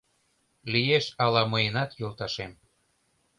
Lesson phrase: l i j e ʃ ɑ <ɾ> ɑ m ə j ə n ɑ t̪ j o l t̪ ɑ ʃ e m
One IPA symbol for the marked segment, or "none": l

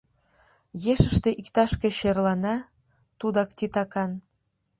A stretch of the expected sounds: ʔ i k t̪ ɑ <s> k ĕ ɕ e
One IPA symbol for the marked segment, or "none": ʃ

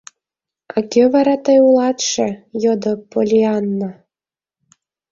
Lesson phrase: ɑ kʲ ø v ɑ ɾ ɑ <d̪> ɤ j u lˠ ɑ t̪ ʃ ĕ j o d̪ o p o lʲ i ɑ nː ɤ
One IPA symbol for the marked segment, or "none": t̪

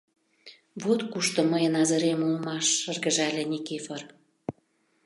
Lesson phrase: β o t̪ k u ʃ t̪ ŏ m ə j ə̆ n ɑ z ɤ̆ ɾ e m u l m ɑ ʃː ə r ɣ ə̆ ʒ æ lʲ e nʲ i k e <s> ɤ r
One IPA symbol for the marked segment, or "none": f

